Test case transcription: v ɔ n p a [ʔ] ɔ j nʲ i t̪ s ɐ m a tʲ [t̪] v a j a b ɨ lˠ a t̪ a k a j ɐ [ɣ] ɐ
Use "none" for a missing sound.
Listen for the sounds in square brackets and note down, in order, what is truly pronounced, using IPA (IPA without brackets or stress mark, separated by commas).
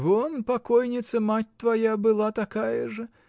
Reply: k, t̪, ʐ